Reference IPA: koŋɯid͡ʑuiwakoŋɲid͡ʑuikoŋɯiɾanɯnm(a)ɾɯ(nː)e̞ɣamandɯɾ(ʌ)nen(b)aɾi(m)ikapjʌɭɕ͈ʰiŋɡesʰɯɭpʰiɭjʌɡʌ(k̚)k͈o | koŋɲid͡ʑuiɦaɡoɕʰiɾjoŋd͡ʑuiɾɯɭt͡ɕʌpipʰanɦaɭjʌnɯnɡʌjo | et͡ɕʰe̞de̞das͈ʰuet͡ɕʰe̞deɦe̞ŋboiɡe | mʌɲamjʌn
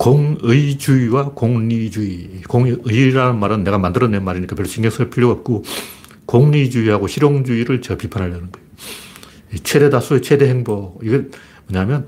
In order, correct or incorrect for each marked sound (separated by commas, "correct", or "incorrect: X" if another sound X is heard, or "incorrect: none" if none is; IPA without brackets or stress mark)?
correct, correct, correct, incorrect: m, incorrect: ɲ, incorrect: p̚